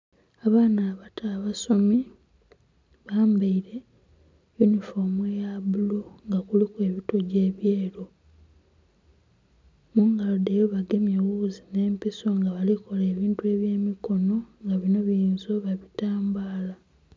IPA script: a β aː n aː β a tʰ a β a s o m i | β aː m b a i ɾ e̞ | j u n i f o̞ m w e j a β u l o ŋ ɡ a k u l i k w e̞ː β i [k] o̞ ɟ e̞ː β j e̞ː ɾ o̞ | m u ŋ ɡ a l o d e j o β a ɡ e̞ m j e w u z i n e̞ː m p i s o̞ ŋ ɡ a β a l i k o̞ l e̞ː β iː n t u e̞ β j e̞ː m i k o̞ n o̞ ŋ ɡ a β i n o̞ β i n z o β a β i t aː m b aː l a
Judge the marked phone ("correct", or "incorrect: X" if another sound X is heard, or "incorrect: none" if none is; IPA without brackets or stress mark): incorrect: t